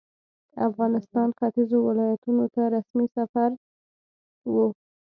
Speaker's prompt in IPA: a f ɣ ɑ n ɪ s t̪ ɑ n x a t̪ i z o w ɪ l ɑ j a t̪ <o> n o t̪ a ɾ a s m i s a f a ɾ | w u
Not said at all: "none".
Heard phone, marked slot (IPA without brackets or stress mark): u